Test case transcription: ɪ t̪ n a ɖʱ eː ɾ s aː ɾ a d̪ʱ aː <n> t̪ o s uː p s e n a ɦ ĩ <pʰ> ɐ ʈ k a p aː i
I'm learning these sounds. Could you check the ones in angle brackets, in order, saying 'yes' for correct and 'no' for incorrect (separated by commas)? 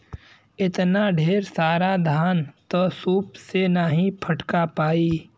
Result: yes, yes